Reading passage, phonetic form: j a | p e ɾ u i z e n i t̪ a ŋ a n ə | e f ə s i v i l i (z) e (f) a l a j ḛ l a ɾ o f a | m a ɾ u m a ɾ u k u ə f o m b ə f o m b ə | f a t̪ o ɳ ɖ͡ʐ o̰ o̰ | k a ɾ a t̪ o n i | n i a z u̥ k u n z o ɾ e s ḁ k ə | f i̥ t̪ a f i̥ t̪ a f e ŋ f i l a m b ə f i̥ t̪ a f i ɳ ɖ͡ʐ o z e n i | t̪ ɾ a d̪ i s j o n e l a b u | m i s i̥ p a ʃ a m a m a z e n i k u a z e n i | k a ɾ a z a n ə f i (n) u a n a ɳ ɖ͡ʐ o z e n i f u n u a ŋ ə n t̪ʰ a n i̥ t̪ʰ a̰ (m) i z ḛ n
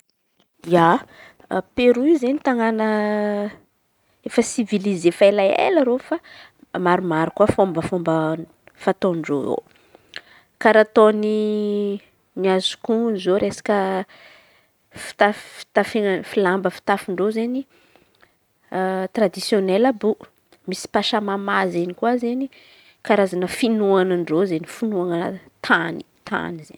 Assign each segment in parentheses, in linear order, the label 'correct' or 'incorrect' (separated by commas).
correct, correct, correct, incorrect